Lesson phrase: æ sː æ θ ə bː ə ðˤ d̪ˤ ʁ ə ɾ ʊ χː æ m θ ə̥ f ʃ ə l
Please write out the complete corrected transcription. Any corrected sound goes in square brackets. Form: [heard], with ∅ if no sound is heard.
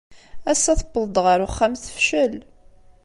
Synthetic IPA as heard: æ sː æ θ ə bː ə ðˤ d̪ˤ ʁ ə ɾ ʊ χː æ m θ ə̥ f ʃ ə l